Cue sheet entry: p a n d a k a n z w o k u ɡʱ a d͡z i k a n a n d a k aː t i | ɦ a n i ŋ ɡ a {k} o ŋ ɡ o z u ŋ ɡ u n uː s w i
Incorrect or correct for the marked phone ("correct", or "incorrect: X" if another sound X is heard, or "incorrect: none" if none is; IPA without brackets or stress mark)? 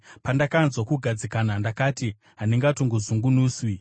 incorrect: t